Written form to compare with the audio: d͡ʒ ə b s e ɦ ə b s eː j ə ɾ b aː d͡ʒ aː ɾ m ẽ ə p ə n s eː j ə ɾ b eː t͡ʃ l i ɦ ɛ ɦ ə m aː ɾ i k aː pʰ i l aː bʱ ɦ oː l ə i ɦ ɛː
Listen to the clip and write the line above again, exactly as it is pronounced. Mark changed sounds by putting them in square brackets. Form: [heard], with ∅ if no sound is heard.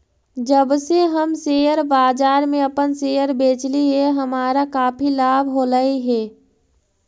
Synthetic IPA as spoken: d͡ʒ ə b s e ɦ ə [m] s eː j ə ɾ b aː d͡ʒ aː ɾ m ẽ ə p ə n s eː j ə ɾ b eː t͡ʃ l i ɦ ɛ ɦ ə m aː ɾ [a] k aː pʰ i l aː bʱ ɦ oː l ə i ɦ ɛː